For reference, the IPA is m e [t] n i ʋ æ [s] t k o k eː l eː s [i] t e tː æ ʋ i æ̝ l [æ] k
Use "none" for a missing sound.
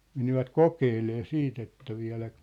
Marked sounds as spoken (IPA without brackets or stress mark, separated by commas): none, none, iː, æ